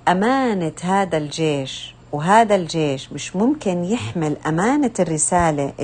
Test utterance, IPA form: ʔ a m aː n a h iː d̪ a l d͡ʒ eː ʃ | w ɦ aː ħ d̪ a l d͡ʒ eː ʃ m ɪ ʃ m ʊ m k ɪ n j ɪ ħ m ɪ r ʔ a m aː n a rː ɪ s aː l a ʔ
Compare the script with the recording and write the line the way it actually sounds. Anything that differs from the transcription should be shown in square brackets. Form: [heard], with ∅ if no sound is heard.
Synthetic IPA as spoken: ʔ a m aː n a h [aː] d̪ a l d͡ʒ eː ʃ | w ɦ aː [∅] d̪ a l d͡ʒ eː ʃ m ɪ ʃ m ʊ m k ɪ n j ɪ ħ m ɪ [l] ʔ a m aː n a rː ɪ s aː l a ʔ